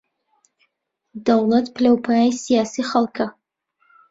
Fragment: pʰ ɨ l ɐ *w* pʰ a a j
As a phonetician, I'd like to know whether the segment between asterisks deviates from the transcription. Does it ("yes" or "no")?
no